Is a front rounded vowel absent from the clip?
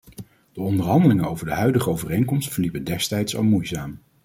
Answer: no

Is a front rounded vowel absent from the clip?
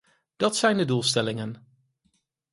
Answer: yes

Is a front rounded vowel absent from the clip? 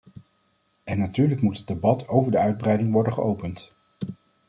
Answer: no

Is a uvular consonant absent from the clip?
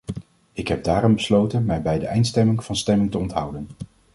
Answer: yes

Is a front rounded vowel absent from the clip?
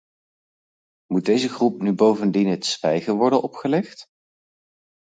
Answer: no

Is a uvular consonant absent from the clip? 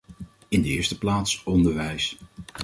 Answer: yes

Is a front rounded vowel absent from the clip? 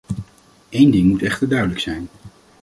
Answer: no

